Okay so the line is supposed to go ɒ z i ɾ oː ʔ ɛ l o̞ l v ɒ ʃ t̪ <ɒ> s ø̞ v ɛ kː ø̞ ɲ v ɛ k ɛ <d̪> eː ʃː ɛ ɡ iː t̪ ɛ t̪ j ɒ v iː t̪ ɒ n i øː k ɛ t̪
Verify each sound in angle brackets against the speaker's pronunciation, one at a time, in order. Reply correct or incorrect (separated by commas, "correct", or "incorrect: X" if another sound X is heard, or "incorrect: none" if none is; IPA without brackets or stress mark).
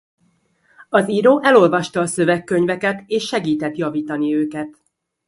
incorrect: ɒː, incorrect: t̪